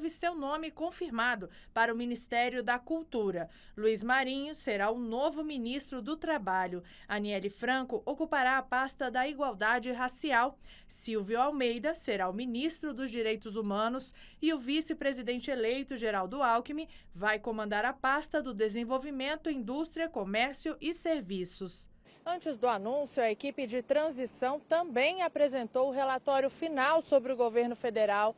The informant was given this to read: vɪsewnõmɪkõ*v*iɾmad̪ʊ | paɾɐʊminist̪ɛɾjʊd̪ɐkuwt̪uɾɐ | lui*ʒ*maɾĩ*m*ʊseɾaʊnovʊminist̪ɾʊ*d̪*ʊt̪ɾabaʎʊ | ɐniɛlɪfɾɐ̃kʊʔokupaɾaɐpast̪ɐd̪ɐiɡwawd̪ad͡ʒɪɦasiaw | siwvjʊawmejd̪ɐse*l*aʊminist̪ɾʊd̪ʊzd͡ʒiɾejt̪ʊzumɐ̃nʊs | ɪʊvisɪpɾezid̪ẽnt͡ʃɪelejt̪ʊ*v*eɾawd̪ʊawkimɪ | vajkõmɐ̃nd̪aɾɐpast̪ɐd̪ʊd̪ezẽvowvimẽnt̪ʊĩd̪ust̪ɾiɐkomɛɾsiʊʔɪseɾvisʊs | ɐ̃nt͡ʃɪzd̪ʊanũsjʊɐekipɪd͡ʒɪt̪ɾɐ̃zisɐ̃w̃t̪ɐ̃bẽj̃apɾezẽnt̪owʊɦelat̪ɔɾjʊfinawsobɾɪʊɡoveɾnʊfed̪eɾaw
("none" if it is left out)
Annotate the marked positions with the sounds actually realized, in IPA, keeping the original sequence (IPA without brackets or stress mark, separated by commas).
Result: f, z, ɲ, d̪, ɾ, ʒ